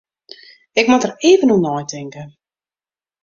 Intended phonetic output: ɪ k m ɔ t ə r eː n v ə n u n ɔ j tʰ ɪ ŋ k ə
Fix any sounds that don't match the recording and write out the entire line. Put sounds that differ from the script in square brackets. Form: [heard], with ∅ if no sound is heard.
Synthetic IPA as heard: ɪ k m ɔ t ə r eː [∅] v ə n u n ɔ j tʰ ɪ ŋ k ə